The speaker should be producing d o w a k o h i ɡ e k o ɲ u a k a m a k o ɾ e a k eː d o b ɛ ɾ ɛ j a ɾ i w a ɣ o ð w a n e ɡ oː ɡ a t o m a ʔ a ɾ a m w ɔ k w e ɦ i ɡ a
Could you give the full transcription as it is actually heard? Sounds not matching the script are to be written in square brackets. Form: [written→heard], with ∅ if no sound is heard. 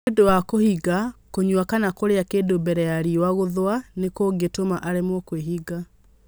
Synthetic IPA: d o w a k o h i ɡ [e→a] k o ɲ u a k a [m→n] a k o ɾ e a k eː d o b ɛ ɾ ɛ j a ɾ i w a ɣ o ð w a n e [ɡ→k] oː ɡ [a→e] t o m a ʔ a ɾ [a→e] m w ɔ k w e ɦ i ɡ a